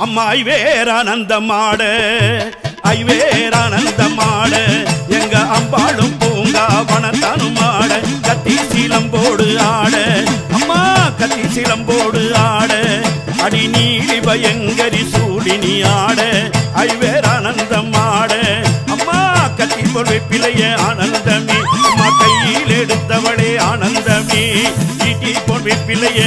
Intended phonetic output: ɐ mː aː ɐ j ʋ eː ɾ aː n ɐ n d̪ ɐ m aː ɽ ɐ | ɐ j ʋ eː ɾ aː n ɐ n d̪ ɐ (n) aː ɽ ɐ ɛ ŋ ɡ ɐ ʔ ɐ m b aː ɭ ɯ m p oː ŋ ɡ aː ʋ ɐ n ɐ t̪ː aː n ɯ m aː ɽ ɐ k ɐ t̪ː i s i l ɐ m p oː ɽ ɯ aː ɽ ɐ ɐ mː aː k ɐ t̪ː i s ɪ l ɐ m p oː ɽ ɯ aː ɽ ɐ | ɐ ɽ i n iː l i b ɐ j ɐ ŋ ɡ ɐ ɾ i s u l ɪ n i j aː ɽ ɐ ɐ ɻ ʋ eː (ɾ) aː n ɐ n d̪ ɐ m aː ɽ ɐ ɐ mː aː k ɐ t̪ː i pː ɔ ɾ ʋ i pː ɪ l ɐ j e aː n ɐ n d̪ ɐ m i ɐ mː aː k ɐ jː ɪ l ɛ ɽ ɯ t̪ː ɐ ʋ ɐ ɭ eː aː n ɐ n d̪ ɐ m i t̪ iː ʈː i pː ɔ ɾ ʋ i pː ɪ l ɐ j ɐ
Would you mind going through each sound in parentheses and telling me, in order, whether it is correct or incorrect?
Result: incorrect: m, correct

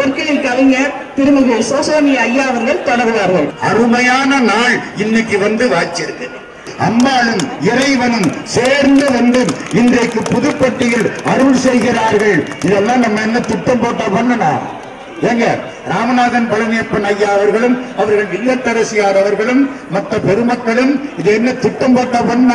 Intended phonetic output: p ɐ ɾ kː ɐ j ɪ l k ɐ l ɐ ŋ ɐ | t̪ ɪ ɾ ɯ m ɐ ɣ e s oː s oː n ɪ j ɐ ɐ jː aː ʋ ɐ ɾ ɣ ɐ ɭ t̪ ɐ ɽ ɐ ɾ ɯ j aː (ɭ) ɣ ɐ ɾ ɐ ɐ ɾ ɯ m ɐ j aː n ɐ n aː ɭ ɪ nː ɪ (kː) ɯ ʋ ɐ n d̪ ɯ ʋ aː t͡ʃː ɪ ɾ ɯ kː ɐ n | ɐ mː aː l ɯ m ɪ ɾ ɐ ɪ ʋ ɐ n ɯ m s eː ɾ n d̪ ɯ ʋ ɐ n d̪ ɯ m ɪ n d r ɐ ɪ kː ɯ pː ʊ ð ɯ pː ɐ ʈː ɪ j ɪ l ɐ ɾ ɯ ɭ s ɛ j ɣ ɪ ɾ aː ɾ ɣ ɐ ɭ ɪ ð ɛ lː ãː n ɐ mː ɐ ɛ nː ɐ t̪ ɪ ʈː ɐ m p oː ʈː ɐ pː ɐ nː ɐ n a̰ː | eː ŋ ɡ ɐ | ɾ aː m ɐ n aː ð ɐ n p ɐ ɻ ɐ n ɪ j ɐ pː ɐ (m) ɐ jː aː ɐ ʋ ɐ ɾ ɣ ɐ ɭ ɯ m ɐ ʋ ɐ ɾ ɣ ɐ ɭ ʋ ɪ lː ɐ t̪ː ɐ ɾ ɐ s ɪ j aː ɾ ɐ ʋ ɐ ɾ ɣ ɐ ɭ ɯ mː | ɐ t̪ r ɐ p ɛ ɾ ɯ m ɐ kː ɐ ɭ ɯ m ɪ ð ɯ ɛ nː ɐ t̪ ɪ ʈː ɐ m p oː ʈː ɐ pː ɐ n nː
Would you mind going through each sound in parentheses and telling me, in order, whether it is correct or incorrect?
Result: incorrect: ɾ, correct, incorrect: n

